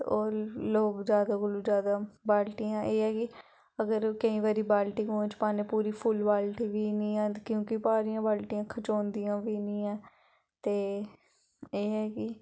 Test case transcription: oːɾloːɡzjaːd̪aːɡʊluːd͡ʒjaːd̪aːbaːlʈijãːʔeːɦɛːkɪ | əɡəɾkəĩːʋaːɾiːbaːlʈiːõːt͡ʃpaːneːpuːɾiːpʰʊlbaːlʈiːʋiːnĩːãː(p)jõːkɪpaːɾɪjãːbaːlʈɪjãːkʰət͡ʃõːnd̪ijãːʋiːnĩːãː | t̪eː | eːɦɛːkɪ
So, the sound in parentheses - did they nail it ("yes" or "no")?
no